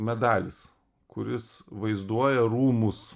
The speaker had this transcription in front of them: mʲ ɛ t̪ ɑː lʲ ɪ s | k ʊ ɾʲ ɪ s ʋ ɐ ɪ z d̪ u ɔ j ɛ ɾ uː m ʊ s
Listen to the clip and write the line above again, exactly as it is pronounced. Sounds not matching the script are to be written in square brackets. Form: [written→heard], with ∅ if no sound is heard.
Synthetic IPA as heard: mʲ ɛ [t̪→d̪] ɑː lʲ ɪ s | k ʊ ɾʲ ɪ s ʋ ɐ ɪ z d̪ u ɔ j ɛ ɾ uː m ʊ s